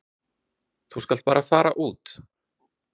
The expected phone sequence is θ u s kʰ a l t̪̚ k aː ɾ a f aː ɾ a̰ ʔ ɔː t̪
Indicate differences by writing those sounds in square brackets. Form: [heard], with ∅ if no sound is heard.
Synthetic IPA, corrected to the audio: θ u s [k] a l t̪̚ [p] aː ɾ a f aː ɾ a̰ ʔ [uː] t̪